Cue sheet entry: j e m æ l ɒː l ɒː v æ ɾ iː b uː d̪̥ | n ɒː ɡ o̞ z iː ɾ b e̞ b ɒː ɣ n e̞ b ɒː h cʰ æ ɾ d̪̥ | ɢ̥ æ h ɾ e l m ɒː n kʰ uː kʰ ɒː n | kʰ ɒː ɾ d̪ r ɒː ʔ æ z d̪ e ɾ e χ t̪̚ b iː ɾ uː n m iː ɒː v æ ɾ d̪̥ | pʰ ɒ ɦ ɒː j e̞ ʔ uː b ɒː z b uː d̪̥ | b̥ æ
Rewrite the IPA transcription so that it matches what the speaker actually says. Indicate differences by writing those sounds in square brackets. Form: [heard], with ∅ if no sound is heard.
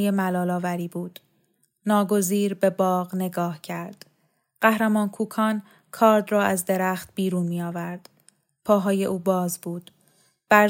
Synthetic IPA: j e m æ l ɒː l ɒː v æ ɾ iː b uː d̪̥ | n ɒː ɡ o̞ z iː ɾ b e̞ b ɒː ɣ n e̞ [ɡ] ɒː h cʰ æ ɾ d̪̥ | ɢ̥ æ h ɾ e [∅] m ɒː n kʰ uː kʰ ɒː n | kʰ ɒː ɾ d̪ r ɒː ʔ æ z d̪ e ɾ [æ] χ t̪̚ b iː ɾ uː n m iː ɒː v æ ɾ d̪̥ | pʰ [ɒː] ɦ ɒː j e̞ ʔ uː b ɒː z b uː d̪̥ | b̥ æ